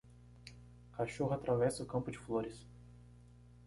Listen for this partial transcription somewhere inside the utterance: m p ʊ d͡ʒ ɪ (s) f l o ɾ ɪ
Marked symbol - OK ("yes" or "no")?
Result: no